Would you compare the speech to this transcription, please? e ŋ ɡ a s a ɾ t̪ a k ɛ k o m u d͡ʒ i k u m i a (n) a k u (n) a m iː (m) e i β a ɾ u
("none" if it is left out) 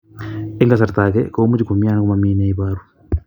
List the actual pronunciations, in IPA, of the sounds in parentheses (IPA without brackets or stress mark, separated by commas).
n, m, n